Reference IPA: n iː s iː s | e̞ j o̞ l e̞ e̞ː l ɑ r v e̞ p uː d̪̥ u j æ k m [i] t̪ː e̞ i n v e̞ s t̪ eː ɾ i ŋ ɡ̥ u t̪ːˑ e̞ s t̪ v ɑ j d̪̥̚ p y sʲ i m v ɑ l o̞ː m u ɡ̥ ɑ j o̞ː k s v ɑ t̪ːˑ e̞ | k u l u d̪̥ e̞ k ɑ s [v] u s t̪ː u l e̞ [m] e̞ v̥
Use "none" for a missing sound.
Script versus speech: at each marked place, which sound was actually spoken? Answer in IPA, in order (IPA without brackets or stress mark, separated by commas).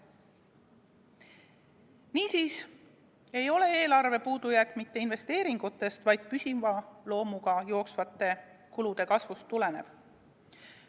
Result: i, v, n